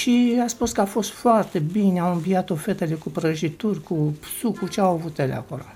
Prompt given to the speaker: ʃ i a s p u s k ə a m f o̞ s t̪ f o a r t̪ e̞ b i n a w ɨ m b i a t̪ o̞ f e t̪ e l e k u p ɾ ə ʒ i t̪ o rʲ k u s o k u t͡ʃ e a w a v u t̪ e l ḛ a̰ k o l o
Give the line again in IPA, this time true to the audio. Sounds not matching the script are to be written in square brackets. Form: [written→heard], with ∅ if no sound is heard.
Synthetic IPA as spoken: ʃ i a s p u s k ə a [m→∅] f o̞ s t̪ f o a r t̪ e̞ b i n a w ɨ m b i a t̪ o̞ f e t̪ e l e k u p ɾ ə ʒ i t̪ [o→u] rʲ k u s [o→u] k u t͡ʃ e a w a v u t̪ e l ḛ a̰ k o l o